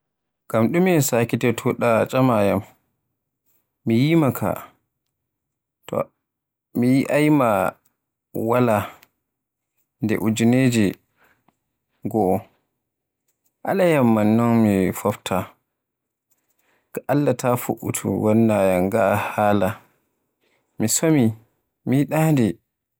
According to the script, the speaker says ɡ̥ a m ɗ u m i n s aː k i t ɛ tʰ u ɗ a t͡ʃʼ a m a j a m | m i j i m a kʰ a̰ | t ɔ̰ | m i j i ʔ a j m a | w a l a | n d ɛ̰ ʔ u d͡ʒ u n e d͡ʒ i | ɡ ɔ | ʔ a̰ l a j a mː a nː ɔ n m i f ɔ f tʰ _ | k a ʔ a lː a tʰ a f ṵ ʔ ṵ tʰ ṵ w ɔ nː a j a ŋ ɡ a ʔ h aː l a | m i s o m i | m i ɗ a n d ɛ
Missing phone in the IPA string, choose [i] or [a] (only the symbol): a